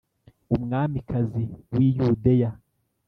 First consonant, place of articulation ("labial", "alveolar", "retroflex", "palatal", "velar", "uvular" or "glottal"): labial